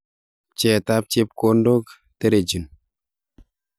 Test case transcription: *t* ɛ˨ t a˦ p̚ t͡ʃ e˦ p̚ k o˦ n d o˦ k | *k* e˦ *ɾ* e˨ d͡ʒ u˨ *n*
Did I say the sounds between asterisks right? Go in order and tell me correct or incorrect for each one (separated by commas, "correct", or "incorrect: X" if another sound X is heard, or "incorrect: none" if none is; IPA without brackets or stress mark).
incorrect: t͡ʃ, incorrect: t, correct, correct